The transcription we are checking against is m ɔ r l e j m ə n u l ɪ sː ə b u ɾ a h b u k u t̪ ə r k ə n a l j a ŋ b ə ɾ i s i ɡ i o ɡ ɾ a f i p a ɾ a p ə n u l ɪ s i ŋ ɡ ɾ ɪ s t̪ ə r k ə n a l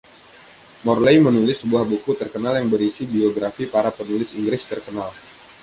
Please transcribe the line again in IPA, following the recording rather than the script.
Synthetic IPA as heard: m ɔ r l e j m ə n u l ɪ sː ə b u a h b u k u t̪ ə r k ə n a l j a ŋ b ə ɾ i s i b i o ɡ ɾ a f i p a ɾ a p ə n u l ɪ s i ŋ ɡ ɾ ɪ s t̪ ə r k ə n a l